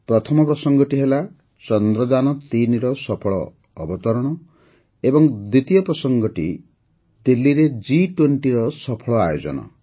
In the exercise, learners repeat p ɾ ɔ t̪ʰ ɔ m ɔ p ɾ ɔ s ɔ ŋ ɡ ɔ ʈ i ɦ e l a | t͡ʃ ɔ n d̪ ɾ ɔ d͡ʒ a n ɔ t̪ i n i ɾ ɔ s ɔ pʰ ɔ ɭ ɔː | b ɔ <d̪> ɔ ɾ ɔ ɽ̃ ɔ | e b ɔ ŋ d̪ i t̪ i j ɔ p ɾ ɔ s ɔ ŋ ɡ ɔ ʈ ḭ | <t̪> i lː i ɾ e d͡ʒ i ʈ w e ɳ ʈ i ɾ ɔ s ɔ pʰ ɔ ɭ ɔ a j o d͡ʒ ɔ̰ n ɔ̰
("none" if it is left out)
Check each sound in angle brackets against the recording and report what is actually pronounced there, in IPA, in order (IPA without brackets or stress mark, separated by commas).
t̪, d̪